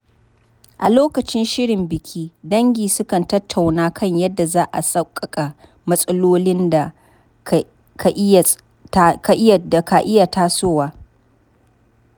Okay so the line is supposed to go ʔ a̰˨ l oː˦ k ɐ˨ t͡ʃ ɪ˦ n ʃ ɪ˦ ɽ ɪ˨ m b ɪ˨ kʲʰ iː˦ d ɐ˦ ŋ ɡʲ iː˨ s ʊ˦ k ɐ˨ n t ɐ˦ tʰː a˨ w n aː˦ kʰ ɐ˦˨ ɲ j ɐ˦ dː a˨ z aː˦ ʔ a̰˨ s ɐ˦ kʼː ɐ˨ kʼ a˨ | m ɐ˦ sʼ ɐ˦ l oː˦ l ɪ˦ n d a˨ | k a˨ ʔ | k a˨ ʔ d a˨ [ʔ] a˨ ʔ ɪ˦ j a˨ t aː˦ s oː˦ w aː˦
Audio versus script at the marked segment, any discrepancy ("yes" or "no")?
yes